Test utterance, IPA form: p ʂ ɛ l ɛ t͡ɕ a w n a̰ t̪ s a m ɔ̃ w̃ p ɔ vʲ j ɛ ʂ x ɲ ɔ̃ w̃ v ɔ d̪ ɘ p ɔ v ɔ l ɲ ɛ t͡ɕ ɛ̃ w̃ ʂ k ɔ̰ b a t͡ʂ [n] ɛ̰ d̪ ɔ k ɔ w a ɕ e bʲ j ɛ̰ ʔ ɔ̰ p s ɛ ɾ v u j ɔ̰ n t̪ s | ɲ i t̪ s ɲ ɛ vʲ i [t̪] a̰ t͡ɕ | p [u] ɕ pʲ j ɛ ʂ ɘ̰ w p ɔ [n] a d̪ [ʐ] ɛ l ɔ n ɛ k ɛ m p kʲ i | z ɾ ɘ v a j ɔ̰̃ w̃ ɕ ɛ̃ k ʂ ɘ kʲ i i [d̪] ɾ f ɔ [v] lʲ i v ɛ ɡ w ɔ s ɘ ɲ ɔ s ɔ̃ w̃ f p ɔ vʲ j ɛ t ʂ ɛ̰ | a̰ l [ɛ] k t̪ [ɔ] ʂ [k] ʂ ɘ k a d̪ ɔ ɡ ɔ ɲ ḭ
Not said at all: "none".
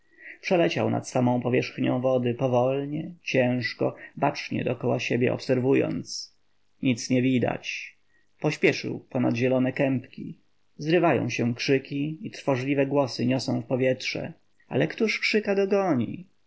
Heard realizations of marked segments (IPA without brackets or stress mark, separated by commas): ɲ, d̪, ɔ, n, ʑ, t̪, ʐ, ɛ, u, k